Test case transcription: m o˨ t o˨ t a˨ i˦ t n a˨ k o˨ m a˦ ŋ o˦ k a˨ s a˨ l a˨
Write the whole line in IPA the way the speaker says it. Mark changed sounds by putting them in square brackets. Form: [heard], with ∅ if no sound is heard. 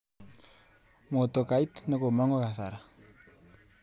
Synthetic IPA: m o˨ t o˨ [k] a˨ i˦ t n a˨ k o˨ m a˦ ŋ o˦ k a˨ s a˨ [ɾ] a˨